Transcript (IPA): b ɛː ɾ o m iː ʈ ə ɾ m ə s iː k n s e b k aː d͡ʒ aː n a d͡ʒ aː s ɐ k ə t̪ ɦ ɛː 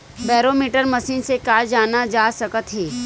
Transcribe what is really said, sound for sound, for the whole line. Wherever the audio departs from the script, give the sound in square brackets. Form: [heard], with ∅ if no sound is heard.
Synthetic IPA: b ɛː ɾ o m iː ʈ ə ɾ m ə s iː [∅] n s e [∅] k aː d͡ʒ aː n a d͡ʒ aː s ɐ k ə t̪ ɦ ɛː